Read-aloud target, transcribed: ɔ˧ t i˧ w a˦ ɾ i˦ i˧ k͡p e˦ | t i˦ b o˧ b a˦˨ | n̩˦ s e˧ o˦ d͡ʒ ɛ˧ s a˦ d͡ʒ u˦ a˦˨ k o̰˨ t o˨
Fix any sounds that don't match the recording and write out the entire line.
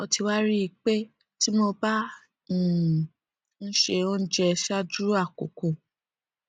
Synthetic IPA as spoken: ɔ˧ t i˧ w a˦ ɾ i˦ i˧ k͡p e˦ | t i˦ m o˧ b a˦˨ | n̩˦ ʃ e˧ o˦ d͡ʒ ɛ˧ ʃ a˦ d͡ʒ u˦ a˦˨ k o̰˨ k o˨

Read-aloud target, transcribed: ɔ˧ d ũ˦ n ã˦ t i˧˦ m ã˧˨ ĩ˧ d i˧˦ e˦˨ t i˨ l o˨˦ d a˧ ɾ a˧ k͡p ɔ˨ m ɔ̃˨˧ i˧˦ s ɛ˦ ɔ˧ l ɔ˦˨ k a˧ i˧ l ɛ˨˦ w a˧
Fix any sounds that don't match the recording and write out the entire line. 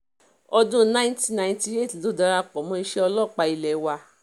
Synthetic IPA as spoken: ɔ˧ d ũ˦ n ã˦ t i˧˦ n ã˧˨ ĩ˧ t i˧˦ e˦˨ t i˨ l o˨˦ d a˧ ɾ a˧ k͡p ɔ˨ m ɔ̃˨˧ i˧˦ ʃ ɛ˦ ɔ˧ l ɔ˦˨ k͡p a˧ i˧ l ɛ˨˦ w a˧

